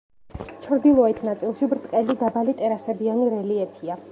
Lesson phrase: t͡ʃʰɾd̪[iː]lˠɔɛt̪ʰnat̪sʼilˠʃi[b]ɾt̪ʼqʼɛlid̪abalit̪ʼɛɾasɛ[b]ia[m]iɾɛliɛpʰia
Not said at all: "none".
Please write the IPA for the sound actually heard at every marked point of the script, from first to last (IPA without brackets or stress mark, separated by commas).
i, b, b, n